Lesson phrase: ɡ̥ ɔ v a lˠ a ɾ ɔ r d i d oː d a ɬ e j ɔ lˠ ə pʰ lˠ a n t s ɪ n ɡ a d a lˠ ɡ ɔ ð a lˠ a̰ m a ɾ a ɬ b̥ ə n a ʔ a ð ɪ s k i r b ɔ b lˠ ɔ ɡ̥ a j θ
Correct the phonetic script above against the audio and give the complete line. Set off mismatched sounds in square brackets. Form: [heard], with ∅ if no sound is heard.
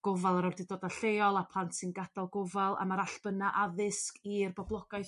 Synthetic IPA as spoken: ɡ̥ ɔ v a lˠ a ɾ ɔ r d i d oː d a ɬ e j ɔ lˠ [a] pʰ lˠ a n t s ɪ n ɡ a d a lˠ ɡ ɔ [v] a lˠ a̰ m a ɾ a ɬ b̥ ə n a ʔ a ð ɪ s k i r b ɔ b lˠ ɔ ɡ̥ a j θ